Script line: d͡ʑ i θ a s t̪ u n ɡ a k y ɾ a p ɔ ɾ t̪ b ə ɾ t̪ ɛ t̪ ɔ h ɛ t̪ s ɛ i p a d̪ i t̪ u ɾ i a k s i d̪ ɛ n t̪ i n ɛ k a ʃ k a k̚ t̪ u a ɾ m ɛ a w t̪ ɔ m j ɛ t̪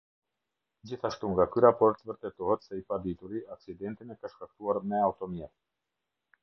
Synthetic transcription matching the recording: d͡ʑ i θ a ʃ t̪ u ŋ ɡ a k y ɾ a p ɔ ɾ t̪ v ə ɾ t̪ ɛ t̪ ɔ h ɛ t̪ s ɛ i p a d̪ i t̪ u ɾ i a k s i d̪ ɛ n t̪ i n ɛ k a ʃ k a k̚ t̪ u a ɾ m ɛ a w t̪ ɔ m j ɛ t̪